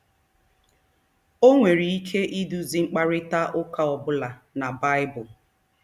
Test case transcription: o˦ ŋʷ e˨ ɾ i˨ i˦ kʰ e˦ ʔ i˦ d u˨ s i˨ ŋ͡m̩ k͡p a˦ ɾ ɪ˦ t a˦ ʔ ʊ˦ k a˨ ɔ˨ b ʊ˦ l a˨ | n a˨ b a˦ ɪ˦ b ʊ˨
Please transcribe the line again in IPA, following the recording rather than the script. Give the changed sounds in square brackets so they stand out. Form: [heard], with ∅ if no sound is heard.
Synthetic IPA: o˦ ŋʷ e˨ ɾ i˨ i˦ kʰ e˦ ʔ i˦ d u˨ [z] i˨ ŋ͡m̩ k͡p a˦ ɾ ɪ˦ t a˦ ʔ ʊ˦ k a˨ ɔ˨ b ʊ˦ l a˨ | n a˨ b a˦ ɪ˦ b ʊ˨